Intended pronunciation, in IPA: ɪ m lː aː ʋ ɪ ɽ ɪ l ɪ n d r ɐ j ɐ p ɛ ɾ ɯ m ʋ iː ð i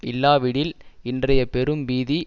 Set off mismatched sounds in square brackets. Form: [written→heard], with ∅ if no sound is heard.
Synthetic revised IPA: ɪ [m→∅] lː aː ʋ ɪ ɽ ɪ l ɪ n d r ɐ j ɐ p ɛ ɾ ɯ m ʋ iː ð i